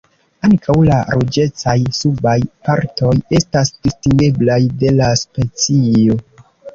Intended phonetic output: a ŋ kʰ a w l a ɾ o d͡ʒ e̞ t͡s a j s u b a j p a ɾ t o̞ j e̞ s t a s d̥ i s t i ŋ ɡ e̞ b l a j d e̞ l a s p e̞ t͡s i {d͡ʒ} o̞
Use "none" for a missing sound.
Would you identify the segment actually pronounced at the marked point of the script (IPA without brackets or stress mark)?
none